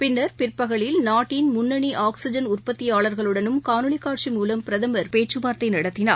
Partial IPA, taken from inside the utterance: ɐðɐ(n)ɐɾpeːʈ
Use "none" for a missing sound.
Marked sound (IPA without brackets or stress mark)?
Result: m